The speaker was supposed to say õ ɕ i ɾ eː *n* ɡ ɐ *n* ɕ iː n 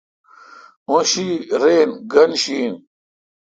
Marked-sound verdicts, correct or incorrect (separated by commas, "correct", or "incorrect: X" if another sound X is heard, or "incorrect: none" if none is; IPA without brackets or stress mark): correct, correct